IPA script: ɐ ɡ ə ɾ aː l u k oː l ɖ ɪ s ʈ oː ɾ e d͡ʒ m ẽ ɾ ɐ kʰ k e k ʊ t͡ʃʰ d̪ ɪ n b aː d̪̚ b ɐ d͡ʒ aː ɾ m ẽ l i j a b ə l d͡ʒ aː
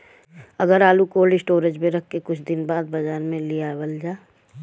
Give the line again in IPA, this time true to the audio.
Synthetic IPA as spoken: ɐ ɡ ə ɾ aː l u k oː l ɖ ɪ s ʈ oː ɾ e d͡ʒ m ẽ ɾ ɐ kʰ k e k ʊ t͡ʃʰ d̪ ɪ n b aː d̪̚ b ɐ d͡ʒ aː ɾ m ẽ l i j a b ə l d͡ʒ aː